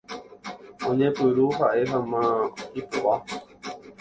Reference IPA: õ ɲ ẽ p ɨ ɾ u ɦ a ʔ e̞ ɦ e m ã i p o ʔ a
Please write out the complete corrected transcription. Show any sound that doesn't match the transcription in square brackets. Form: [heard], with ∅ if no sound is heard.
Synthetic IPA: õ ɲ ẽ p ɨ ɾ u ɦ a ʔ e̞ ɦ [a] m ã i p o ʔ a

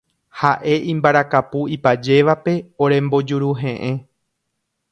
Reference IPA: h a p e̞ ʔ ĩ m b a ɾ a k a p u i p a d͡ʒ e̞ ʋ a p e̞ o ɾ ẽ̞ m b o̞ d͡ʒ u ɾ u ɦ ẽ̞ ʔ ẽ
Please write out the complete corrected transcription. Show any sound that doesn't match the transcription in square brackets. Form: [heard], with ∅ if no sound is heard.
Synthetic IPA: h a [ʔ] e̞ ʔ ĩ m b a ɾ a k a p u i p a d͡ʒ e̞ ʋ a p e̞ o ɾ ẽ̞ m b o̞ d͡ʒ u ɾ u ɦ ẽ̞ ʔ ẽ

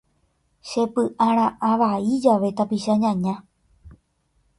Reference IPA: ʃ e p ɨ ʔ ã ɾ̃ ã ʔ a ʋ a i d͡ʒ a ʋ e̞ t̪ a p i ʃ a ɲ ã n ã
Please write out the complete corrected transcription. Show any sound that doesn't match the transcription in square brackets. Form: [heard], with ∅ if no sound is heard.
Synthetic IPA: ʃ e p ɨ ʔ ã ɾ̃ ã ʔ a ʋ a i d͡ʒ a ʋ e̞ t̪ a p i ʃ a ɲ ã [ɲ] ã

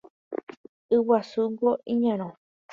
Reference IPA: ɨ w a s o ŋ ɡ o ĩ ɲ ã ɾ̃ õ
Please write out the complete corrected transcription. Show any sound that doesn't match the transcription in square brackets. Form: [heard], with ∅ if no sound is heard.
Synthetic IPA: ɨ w a s [u] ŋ ɡ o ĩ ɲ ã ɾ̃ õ

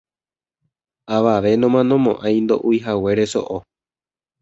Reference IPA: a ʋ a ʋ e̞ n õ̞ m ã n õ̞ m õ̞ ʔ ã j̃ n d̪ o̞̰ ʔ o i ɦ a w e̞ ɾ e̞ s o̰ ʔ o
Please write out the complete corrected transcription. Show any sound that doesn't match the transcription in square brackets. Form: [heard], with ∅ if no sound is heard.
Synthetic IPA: a ʋ a ʋ e̞ n õ̞ m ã n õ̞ m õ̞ ʔ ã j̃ n d̪ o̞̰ ʔ [u] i ɦ a w e̞ ɾ e̞ s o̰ ʔ o

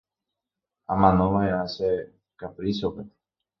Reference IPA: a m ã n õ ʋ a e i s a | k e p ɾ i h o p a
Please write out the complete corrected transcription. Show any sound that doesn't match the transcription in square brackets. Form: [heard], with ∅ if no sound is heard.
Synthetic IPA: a m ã n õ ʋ a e [a] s [e] | k [a] p ɾ i [s] o p [e]

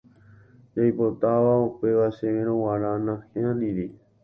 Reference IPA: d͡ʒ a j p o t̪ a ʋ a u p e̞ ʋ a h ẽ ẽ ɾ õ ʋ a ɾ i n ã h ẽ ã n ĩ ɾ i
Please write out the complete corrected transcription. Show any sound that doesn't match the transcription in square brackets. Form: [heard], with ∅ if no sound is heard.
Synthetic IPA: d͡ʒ a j p o t̪ a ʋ a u p e̞ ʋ a [ʃ] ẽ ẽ ɾ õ [w] a ɾ [a] n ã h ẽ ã n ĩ ɾ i

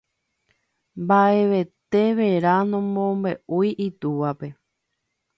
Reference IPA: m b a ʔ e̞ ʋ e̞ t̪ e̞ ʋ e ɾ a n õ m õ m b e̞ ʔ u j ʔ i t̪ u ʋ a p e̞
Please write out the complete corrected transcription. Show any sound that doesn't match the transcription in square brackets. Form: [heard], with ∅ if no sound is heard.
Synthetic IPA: m b a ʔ e̞ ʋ e̞ t̪ e̞ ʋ e ɾ a n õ m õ m b e̞ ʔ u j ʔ i t̪ u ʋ a p e̞

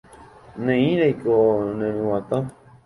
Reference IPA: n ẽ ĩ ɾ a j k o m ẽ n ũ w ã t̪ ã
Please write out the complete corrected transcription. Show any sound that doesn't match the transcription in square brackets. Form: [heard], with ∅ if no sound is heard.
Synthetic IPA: n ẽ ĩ ɾ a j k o [n] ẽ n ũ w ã t̪ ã

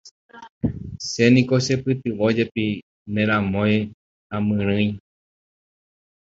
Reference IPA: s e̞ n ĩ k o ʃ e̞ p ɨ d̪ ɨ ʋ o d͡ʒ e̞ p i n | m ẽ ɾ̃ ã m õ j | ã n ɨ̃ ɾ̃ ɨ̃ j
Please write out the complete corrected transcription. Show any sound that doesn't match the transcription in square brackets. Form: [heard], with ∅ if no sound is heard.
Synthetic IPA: s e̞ n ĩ k o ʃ e̞ p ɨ [t̪] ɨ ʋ o d͡ʒ e̞ p i [∅] | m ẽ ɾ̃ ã m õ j | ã [m] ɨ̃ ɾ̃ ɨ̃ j

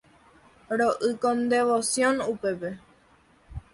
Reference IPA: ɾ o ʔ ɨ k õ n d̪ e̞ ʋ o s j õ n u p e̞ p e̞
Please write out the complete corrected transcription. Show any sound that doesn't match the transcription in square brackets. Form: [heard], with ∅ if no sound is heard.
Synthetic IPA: ɾ o ʔ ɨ k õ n d̪ e̞ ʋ o s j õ n u p e̞ p e̞

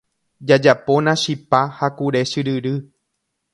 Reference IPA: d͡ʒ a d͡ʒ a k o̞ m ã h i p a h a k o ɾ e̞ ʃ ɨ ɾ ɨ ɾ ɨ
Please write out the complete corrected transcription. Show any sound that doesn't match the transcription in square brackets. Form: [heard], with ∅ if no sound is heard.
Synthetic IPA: d͡ʒ a d͡ʒ a [p] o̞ [n] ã [ʃ] i p a h a k [u] ɾ e̞ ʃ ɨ ɾ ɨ ɾ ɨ

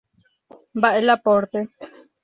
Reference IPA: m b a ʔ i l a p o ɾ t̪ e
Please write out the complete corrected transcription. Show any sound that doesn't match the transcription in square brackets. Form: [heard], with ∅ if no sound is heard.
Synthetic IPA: m b a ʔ [e] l a p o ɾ t̪ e

